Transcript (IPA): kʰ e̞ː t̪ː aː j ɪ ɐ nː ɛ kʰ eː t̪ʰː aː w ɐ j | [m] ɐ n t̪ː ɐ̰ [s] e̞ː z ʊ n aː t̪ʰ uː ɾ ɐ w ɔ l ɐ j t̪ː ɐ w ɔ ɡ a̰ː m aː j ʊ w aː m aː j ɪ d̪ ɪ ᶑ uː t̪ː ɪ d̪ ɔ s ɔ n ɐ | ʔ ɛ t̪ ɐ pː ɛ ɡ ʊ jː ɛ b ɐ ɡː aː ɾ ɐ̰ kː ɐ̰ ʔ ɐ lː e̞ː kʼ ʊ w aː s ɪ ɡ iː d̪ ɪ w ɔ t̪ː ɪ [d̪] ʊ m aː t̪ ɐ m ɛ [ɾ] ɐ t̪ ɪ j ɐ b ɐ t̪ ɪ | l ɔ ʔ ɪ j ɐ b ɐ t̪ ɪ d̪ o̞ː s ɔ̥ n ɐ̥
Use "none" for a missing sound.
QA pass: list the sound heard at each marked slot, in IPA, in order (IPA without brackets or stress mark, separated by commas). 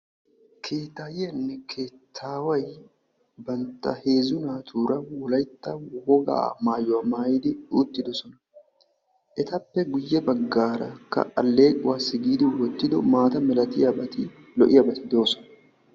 b, h, d̪, l